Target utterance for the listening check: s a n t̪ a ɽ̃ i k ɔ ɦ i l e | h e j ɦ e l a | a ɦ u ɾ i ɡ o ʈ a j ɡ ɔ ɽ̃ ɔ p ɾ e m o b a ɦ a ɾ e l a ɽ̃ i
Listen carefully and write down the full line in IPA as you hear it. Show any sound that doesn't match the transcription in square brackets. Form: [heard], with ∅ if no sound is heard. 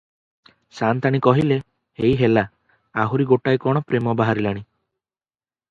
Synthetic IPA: s a n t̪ a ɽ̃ i k ɔ ɦ i l e | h e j ɦ e l a | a ɦ u ɾ i ɡ o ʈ a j [k] ɔ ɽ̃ ɔ p ɾ e m [ɔ] b a ɦ a ɾ [i] l a ɽ̃ i